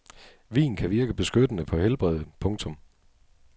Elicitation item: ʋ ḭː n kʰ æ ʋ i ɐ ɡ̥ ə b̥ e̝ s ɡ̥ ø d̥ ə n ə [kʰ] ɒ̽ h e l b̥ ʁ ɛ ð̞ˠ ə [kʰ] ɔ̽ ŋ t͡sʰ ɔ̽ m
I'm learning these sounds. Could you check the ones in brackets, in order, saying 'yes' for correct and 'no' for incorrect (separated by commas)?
no, no